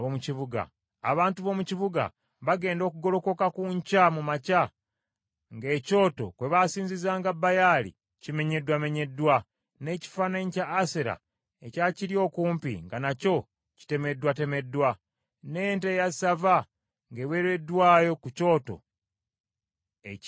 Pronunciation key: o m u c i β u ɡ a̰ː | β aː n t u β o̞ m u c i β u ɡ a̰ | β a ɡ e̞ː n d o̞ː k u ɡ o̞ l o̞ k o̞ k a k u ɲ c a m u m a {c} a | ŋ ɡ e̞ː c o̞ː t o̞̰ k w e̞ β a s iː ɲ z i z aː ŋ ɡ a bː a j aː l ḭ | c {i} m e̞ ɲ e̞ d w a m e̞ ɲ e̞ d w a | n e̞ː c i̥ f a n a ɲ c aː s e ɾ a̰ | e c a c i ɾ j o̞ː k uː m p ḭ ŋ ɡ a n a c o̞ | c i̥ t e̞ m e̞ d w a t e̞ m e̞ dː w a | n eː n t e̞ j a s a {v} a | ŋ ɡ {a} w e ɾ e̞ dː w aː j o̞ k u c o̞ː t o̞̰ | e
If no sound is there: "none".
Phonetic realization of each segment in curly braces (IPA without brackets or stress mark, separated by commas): c, i, v, e